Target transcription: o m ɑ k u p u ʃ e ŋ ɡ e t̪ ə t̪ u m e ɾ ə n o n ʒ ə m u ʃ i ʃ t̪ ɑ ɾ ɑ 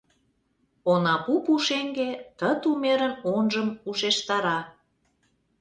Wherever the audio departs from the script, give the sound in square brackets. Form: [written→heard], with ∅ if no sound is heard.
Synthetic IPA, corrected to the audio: o [m→n] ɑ [k→p] u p u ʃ e ŋ ɡ e t̪ ə t̪ u m e ɾ ə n o n ʒ ə m u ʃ [i→e] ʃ t̪ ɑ ɾ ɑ